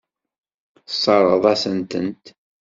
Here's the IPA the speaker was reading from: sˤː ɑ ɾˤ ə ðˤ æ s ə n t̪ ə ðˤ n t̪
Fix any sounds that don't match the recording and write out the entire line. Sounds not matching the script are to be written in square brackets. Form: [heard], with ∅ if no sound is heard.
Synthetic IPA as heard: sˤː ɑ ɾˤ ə ðˤ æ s ə n t̪ ə [∅] n t̪